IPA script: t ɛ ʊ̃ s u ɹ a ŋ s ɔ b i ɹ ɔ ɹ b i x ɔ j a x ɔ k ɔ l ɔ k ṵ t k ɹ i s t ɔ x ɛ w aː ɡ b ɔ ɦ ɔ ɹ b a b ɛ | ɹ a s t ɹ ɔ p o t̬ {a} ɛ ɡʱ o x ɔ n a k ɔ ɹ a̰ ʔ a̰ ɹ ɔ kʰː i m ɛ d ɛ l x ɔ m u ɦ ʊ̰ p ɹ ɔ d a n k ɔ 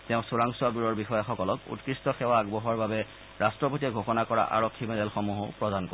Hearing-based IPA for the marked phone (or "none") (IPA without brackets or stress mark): i